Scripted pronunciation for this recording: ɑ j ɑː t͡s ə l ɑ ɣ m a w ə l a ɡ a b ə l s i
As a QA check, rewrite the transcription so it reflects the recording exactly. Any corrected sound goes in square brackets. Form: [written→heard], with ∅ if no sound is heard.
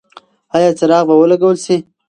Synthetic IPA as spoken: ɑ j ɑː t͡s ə [l→ɾ] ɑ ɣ [m→b] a w ə l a ɡ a [b→w] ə l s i